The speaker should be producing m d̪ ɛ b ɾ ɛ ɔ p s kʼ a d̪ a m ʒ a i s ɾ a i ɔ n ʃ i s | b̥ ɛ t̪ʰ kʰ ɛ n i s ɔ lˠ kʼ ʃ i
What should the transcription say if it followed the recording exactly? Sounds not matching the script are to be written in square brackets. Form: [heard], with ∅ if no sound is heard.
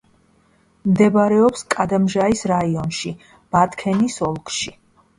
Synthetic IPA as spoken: m d̪ ɛ b ɾ ɛ ɔ p s kʼ a d̪ a m ʒ a i s ɾ a i ɔ n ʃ i [∅] | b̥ [a] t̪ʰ kʰ ɛ n i s ɔ lˠ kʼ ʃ i